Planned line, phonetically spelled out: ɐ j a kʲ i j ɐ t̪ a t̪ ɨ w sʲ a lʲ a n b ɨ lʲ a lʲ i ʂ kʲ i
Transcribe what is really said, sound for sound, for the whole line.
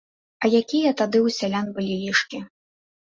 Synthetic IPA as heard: ɐ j a kʲ i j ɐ t̪ a d̪ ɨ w sʲ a lʲ a n b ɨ lʲ i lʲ i ʂ kʲ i